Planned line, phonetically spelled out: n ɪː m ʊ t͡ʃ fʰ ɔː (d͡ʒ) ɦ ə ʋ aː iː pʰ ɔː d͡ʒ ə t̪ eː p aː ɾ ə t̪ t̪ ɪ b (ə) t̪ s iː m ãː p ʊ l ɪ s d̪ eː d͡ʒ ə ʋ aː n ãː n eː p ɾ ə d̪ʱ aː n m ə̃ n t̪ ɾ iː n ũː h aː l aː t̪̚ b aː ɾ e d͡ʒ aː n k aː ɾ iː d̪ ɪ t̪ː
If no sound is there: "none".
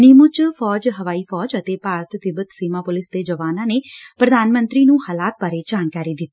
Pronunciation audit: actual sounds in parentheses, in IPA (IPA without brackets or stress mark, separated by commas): d͡ʒ, ə